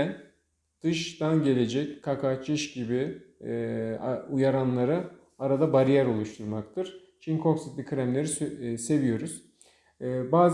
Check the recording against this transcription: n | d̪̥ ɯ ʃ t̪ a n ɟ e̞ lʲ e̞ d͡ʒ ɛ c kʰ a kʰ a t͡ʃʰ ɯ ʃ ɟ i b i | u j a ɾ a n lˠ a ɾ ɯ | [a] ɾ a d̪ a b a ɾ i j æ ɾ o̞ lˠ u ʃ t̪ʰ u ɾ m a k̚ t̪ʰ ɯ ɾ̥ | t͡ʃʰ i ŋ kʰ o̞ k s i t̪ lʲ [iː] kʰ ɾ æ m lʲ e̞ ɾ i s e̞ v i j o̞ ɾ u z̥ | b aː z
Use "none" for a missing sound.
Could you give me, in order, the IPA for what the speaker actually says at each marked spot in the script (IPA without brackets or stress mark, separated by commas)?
a, i